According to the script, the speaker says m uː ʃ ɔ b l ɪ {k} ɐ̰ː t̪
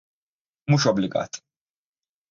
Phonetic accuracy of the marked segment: incorrect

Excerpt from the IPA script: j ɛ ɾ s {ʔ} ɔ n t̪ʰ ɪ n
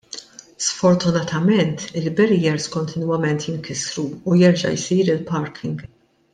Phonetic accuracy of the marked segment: incorrect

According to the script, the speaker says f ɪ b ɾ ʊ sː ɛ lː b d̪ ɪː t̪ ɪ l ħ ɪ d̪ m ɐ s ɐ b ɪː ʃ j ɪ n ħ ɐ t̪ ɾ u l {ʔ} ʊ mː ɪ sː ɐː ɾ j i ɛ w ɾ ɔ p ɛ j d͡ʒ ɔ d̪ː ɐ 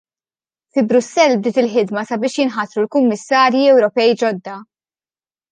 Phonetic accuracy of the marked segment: incorrect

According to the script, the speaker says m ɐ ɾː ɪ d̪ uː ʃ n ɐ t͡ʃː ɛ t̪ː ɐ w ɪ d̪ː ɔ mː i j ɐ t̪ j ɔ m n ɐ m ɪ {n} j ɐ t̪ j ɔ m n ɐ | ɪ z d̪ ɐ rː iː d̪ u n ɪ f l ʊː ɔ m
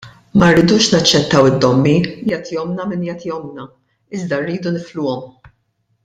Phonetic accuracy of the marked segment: correct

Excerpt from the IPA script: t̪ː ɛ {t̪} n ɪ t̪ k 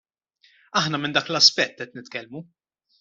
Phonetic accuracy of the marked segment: correct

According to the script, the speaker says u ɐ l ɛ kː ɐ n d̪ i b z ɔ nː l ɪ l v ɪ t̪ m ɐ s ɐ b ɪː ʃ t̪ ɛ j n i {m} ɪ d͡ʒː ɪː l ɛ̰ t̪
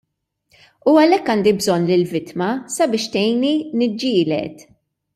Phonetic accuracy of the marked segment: incorrect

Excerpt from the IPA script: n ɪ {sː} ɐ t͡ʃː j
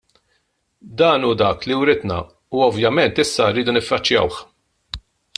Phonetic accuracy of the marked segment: incorrect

